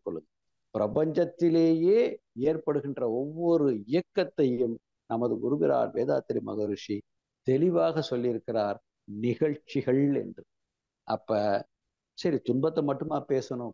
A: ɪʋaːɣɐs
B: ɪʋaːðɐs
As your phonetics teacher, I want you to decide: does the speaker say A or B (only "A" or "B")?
A